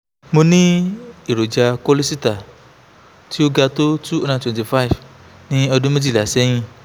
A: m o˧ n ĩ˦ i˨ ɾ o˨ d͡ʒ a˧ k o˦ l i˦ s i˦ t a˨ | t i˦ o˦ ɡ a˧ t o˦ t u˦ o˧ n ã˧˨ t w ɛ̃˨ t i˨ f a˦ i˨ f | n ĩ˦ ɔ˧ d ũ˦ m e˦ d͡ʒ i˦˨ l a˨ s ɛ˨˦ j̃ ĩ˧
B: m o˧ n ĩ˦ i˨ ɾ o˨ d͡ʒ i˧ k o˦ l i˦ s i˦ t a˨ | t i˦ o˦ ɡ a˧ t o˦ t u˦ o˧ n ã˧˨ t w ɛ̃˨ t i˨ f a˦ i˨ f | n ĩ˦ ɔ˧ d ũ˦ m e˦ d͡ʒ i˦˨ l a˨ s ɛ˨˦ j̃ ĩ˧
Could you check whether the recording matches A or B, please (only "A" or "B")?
A